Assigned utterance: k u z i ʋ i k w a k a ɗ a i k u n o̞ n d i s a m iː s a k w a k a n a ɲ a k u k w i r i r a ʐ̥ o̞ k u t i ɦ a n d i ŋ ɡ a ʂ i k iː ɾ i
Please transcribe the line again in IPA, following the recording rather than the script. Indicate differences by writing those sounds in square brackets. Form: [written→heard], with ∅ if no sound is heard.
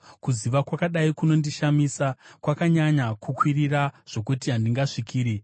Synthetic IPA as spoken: k u z i ʋ [i→a] k w a k a ɗ a i k u n o̞ n d i [s→ʃ] a m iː s a k w a k a [n→ɲ] a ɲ a k u k w i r i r a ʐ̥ o̞ k u t i ɦ a n d i ŋ ɡ a ʂ i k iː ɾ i